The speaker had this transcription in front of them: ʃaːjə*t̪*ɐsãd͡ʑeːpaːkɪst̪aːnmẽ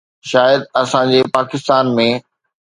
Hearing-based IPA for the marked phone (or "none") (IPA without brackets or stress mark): d̪